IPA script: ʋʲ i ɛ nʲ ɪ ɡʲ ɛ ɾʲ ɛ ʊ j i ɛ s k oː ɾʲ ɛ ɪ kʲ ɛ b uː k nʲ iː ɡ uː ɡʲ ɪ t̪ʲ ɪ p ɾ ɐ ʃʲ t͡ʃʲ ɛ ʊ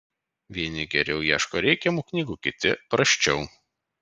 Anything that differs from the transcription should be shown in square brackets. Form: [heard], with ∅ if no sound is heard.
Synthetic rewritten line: ʋʲ i ɛ nʲ ɪ ɡʲ ɛ ɾʲ ɛ ʊ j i ɛ [ʃ] k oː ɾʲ ɛ ɪ kʲ ɛ [m] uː k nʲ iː ɡ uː [kʲ] ɪ t̪ʲ ɪ p ɾ ɐ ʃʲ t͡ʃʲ ɛ ʊ